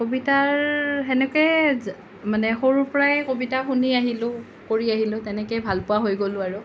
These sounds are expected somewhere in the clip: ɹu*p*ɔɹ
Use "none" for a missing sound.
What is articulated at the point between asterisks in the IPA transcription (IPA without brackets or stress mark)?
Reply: p